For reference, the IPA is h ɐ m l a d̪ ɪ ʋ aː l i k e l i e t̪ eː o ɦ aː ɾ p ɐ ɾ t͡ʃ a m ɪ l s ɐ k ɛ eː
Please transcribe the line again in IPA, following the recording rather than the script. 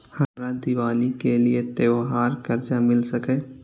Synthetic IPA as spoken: h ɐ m ɾ a d̪ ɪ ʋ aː l i k e l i e t̪ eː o ɦ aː ɾ k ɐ ɾ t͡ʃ a m ɪ l s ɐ k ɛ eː